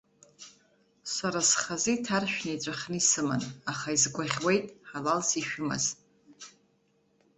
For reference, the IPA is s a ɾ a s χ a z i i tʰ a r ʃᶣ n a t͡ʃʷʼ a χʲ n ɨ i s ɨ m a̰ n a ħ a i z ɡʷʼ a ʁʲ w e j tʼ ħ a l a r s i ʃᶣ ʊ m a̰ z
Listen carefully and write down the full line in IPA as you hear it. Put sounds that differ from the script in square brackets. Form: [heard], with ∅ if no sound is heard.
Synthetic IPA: s a ɾ a s χ a z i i tʰ a r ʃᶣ n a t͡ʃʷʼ a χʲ n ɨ i s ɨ m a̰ n a [χ] a i z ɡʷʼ a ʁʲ w e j tʼ ħ a l a [l] s i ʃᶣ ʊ m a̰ z